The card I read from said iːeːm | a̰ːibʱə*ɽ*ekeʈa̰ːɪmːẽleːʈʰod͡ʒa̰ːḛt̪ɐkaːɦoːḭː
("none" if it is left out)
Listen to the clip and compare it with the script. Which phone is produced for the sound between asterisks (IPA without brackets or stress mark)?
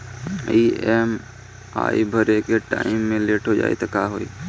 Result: ɾ